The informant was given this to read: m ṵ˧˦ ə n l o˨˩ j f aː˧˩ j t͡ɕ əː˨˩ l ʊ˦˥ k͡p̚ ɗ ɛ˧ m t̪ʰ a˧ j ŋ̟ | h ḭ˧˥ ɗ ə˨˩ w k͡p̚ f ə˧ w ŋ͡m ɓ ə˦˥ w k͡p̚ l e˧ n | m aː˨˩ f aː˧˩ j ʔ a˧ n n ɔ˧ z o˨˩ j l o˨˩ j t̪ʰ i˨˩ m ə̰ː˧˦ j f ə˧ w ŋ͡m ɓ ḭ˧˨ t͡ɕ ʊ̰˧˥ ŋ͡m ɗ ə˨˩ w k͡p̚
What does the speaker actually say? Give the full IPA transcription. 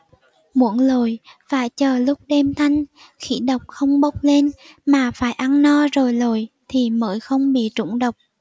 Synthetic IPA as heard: m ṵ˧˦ ə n l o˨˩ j f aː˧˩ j t͡ɕ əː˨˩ l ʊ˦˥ k͡p̚ ɗ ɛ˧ m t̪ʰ a˧ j ŋ̟ | x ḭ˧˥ ɗ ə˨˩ w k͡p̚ x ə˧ w ŋ͡m ɓ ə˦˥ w k͡p̚ l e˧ n | m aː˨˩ f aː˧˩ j ʔ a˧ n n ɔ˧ z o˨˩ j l o˨˩ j t̪ʰ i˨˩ m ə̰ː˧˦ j x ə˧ w ŋ͡m ɓ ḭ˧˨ t͡ɕ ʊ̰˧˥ ŋ͡m ɗ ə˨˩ w k͡p̚